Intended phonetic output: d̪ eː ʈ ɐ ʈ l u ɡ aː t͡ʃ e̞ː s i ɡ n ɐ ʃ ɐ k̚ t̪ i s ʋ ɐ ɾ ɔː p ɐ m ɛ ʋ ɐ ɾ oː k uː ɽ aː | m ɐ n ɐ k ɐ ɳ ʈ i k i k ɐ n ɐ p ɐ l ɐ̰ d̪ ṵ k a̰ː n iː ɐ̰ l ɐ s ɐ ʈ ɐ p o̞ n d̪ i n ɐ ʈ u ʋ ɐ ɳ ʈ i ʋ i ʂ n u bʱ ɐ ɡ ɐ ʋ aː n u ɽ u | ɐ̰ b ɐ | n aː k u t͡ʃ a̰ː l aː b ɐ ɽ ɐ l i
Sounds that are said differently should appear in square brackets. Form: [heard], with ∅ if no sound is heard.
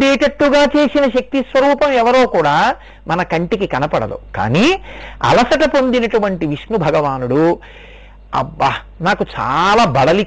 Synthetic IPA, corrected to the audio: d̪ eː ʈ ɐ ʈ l u ɡ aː t͡ʃ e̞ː s i [∅] n ɐ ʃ ɐ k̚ t̪ i s ʋ ɐ ɾ [uː] p ɐ m ɛ ʋ ɐ ɾ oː k uː ɽ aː | m ɐ n ɐ k ɐ ɳ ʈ i k i k ɐ n ɐ p ɐ [ɽ] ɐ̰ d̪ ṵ k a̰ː n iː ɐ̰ l ɐ s ɐ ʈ ɐ p o̞ n d̪ i n ɐ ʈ u ʋ ɐ ɳ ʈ i ʋ i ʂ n u bʱ ɐ ɡ ɐ ʋ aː n u ɽ u | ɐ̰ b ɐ | n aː k u t͡ʃ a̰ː l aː b ɐ ɽ ɐ l i